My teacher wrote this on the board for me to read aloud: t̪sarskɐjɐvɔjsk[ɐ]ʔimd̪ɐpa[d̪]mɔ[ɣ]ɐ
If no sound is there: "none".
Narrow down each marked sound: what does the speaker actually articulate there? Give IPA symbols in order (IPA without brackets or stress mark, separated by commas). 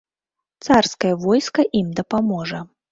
ɐ, none, ʐ